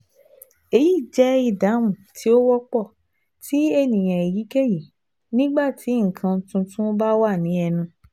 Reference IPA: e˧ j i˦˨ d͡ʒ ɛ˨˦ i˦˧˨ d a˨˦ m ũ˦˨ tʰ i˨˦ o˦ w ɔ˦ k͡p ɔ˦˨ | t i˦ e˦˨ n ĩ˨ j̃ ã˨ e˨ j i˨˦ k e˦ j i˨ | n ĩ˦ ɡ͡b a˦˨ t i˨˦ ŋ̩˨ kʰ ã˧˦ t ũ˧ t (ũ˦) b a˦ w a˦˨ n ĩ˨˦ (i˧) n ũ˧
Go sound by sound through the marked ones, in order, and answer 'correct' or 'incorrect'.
correct, incorrect: ɛ˧

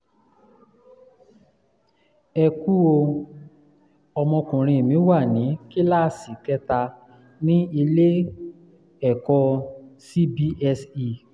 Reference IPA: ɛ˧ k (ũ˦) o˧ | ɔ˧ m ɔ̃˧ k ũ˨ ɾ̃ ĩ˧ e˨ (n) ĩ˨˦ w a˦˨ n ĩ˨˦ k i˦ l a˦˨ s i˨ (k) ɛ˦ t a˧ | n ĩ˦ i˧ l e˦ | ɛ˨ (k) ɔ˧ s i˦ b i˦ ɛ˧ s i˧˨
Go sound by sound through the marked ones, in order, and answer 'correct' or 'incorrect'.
incorrect: u˦, incorrect: m, correct, correct

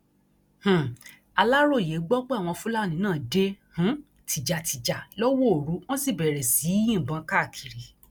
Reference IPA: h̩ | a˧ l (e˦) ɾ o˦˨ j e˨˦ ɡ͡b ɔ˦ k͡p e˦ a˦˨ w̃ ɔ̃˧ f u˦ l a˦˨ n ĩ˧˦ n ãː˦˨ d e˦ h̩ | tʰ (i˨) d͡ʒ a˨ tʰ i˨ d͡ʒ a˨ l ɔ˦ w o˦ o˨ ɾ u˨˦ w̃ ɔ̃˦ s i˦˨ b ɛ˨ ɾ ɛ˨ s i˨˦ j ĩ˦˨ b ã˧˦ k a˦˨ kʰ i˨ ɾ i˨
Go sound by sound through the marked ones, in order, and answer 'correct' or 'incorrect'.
incorrect: a˦, correct

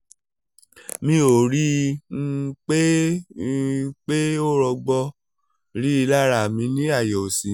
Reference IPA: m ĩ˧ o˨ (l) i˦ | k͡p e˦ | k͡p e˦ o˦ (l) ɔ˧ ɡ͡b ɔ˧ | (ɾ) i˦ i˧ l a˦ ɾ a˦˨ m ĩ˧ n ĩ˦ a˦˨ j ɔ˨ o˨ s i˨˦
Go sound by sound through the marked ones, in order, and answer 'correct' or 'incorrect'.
incorrect: ɾ, incorrect: ɾ, correct

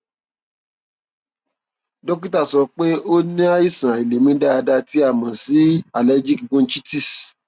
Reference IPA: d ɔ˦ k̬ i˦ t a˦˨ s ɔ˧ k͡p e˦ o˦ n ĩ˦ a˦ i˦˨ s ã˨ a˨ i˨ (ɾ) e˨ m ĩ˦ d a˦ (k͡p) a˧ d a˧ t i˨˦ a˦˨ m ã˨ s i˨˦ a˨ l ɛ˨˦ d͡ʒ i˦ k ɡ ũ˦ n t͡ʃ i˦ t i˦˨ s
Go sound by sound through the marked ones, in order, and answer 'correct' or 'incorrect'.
incorrect: l, incorrect: none

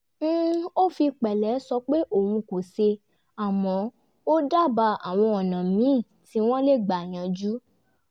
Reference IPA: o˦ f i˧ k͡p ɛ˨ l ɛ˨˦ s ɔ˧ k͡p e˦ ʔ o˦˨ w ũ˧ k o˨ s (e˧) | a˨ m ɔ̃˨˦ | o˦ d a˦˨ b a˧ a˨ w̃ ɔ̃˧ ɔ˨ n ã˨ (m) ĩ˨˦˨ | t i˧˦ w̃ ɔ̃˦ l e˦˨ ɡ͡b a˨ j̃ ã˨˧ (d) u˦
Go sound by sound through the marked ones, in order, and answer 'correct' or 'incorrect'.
correct, correct, incorrect: d͡ʒ

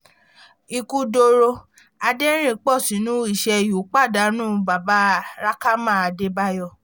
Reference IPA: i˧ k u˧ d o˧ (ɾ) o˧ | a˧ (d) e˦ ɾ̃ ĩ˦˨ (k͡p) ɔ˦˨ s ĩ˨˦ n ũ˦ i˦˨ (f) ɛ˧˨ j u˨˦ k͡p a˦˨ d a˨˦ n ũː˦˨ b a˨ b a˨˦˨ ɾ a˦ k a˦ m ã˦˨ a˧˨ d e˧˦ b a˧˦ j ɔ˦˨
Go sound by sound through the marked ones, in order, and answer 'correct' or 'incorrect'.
correct, correct, correct, incorrect: ʃ

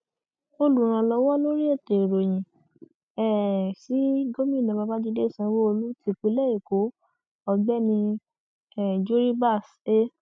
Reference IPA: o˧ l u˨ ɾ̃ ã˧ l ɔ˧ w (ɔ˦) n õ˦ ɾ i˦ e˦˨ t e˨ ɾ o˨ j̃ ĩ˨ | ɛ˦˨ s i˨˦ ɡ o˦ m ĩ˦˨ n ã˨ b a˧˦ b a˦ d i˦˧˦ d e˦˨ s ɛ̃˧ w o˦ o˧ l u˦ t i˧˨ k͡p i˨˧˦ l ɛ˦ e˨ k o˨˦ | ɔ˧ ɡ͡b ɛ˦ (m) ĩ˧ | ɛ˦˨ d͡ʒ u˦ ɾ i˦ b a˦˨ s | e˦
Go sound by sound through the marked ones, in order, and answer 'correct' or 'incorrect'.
correct, incorrect: n

